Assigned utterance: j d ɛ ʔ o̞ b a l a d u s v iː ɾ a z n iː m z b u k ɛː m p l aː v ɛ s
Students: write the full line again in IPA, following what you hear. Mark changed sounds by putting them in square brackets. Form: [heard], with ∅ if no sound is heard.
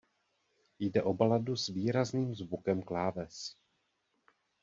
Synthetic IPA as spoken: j d ɛ ʔ o̞ b a l a d u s v iː ɾ a z n iː m z [v] u k [ɛ] m [k] l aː v ɛ s